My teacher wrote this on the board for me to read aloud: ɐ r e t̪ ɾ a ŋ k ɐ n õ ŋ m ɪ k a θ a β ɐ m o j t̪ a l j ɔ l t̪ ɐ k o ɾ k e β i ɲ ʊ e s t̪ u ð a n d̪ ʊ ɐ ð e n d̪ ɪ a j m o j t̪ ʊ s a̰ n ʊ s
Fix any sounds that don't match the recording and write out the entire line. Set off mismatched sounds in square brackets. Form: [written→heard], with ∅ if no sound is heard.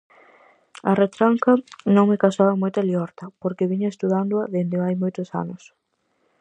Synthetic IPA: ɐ r e t̪ ɾ a ŋ k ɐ n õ ŋ m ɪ k a [θ→s] a β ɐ m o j t̪ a l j ɔ [l→ɾ] t̪ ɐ [k→p] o ɾ k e β i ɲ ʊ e s t̪ u ð a n d̪ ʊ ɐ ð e n d̪ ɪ a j m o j t̪ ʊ s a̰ n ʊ s

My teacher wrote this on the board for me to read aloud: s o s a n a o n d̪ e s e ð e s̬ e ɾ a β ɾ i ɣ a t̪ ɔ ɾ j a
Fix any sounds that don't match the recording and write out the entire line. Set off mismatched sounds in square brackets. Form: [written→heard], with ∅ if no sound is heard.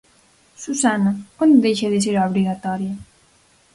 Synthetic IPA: s [o→u] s a n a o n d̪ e [s→ʃ] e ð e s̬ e ɾ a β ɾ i ɣ a t̪ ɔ ɾ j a

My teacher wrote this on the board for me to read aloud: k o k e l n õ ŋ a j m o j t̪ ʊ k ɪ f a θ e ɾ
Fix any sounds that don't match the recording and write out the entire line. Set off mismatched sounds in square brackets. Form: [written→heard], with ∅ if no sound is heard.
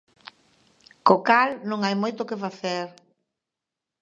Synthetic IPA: k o k [e→a] l n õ ŋ a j m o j t̪ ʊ k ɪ f a θ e ɾ

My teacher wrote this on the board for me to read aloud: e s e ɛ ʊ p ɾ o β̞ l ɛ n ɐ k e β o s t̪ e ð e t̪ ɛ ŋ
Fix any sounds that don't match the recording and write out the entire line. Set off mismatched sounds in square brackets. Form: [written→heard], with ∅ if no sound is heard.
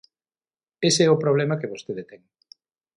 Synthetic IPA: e s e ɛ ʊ p ɾ o β̞ l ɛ [n→m] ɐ k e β o s t̪ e ð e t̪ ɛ ŋ

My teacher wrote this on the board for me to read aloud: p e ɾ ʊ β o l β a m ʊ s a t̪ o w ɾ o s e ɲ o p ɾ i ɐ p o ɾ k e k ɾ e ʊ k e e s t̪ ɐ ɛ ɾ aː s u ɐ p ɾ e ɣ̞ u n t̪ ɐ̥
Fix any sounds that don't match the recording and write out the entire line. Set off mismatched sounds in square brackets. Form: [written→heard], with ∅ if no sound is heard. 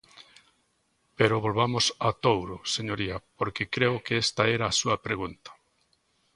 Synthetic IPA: p e ɾ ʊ β o l β a m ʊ s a t̪ o w ɾ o s e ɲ o [p→∅] ɾ i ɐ p o ɾ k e k ɾ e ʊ k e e s t̪ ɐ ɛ ɾ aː s u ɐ p ɾ e ɣ̞ u n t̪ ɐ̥

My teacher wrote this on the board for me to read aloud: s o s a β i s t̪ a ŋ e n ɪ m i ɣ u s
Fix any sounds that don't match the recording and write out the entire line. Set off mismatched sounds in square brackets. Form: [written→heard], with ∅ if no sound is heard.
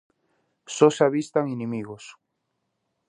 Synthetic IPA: s o s a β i s t̪ a ŋ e n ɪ m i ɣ [u→o] s

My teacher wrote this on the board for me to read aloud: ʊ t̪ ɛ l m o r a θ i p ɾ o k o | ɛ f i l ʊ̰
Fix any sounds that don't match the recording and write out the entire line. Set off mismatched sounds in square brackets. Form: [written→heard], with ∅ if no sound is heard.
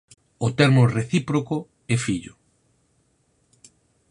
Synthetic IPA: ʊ t̪ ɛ [l→ɾ] m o r [a→e] θ i p ɾ o k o | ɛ f i [l→ʎ] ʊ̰

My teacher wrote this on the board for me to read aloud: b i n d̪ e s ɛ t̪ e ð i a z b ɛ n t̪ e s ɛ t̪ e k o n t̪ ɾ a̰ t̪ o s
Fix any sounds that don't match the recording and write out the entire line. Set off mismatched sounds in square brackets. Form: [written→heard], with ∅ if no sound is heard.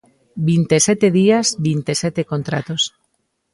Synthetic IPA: b i n [d̪→t̪] e s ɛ t̪ e ð i a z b [ɛ→i] n t̪ e s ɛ t̪ e k o n t̪ ɾ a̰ t̪ o s

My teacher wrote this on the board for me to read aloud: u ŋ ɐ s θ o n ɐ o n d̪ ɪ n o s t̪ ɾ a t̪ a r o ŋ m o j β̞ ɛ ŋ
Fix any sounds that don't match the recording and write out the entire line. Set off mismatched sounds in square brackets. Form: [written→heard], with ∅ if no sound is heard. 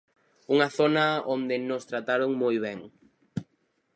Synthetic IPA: u ŋ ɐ [s→∅] θ o n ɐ o n d̪ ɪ n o s t̪ ɾ a t̪ a [r→ɾ] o ŋ m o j β̞ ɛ ŋ

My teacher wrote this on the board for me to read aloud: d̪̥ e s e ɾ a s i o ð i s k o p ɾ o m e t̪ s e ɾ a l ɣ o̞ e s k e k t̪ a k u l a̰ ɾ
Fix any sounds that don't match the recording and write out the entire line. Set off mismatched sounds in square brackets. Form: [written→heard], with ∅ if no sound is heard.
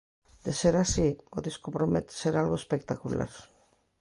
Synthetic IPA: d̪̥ e s e ɾ a s i o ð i s k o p ɾ o m e t̪ s e ɾ a l ɣ o̞ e s [k→p] e k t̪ a k u l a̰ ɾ

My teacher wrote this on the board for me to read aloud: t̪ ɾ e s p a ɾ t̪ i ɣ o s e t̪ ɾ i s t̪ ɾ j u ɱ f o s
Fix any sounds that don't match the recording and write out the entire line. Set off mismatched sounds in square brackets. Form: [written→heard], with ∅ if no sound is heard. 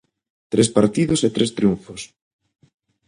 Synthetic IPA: t̪ ɾ e s p a ɾ t̪ i [ɣ→ð] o s e t̪ ɾ [i→e] s t̪ ɾ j u ɱ f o s

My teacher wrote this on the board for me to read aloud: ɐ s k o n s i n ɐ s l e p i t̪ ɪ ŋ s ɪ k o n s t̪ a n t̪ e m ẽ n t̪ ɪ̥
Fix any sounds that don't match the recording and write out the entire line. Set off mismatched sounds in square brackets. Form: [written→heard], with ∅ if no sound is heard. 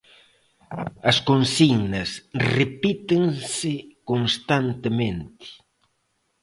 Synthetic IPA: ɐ s k o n s i n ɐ s [l→r] e p i t̪ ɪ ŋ s ɪ k o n s t̪ a n t̪ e m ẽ n t̪ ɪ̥

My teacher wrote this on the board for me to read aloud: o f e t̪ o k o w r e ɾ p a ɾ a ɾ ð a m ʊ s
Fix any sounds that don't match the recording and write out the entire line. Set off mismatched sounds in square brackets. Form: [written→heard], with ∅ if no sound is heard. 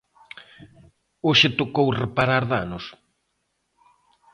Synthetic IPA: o [f→ʃ] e t̪ o k o w r e [ɾ→∅] p a ɾ a ɾ ð a [m→n] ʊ s

